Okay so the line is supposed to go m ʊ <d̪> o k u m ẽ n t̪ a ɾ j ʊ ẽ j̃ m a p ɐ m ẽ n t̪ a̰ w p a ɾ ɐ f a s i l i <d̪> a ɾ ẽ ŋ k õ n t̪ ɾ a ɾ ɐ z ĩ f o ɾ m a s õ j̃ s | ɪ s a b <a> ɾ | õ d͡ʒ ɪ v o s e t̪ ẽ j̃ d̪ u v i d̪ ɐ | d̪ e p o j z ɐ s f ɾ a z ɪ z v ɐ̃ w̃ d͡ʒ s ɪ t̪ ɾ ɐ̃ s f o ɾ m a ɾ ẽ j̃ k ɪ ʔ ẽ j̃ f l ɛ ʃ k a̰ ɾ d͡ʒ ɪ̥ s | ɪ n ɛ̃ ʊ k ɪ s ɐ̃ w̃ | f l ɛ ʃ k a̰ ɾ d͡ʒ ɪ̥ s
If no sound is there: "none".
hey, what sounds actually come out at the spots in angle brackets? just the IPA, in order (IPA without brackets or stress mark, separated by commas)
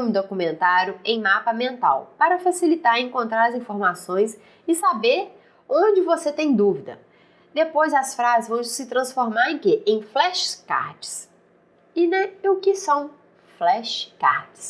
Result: d̪, t̪, e